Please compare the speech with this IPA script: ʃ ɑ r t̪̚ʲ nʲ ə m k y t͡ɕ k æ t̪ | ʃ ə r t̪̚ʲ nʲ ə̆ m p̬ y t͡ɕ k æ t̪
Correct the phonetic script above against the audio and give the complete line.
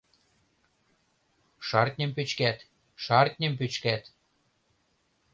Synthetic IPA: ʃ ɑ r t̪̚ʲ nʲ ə m p y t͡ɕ k æ t̪ | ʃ ɑ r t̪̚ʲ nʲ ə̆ m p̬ y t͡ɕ k æ t̪